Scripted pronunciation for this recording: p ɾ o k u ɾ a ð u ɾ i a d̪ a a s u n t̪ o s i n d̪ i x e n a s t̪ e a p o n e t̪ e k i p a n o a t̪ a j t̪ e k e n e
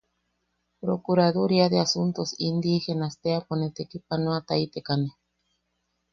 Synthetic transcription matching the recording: p ɾ o k u ɾ a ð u ɾ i a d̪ e a s u n t̪ o s i n d̪ i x e n a s t̪ e a p o n e t̪ e k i p a n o a t̪ a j t̪ e k a n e